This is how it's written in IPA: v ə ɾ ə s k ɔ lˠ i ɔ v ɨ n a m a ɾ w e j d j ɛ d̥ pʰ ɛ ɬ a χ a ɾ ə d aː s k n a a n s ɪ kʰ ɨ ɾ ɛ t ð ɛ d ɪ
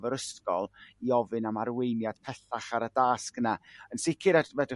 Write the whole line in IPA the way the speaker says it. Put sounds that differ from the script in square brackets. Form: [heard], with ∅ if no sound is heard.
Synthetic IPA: v ə ɾ ə s k ɔ lˠ i ɔ v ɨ n a m a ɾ w e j [n] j [a] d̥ pʰ ɛ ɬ a χ a ɾ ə d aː s k n a [ə] n s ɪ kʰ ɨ ɾ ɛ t [v] ɛ d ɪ